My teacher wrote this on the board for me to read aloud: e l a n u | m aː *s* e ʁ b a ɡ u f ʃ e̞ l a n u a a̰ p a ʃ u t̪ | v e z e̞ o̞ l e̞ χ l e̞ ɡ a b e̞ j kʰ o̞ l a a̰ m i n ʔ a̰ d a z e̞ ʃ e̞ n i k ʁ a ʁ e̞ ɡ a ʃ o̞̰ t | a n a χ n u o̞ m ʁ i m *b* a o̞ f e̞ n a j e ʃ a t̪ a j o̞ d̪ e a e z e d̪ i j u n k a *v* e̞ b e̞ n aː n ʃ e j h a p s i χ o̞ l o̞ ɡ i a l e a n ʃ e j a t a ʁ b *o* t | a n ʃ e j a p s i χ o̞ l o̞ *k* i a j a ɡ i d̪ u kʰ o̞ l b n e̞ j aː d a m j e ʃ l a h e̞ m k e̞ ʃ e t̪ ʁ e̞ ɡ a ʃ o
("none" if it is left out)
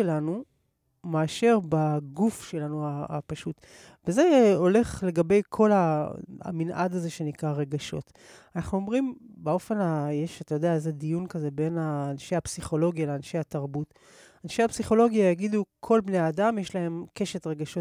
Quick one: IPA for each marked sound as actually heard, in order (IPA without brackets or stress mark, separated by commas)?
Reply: ʃ, b, z, u, ɡ